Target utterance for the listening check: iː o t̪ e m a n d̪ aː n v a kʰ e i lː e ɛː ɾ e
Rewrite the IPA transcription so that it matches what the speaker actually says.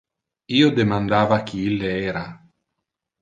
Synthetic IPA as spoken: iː o d̪ e m a n d̪ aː v a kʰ i i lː e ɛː ɾ a